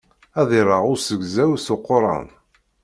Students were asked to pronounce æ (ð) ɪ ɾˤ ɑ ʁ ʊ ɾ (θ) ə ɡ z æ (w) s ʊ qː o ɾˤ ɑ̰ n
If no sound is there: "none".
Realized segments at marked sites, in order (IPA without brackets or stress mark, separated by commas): ð, s, w